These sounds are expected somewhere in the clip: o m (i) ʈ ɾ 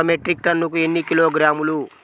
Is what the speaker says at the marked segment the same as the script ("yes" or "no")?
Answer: no